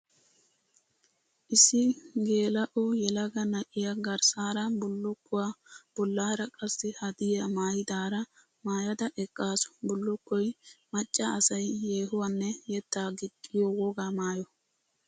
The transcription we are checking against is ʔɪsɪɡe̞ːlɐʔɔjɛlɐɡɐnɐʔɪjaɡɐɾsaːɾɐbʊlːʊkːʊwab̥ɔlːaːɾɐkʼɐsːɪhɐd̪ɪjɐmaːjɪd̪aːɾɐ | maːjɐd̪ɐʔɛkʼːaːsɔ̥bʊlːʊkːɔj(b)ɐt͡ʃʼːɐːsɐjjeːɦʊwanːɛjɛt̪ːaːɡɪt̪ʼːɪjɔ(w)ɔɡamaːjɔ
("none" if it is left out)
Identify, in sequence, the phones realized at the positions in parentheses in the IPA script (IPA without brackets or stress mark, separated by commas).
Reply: m, w